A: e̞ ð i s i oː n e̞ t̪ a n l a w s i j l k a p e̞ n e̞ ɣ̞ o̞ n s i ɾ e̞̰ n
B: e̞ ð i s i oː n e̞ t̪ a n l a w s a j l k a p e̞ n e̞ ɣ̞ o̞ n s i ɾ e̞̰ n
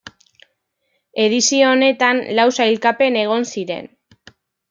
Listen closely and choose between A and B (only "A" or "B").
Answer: B